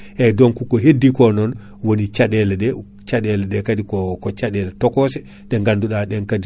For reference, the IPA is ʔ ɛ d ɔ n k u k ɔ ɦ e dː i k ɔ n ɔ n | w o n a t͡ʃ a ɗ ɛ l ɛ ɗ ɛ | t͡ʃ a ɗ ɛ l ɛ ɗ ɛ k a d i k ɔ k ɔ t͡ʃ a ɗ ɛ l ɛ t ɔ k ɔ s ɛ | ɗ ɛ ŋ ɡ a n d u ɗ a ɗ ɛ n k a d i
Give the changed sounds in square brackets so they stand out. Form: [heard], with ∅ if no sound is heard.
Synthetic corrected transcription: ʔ ɛ d ɔ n k u k ɔ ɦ e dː i k ɔ n ɔ n | w o n [i] t͡ʃ a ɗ ɛ l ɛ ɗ ɛ | t͡ʃ a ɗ ɛ l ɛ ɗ ɛ k a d i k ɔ k ɔ t͡ʃ a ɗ ɛ l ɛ t ɔ k ɔ s ɛ | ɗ ɛ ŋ ɡ a n d u ɗ a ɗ ɛ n k a d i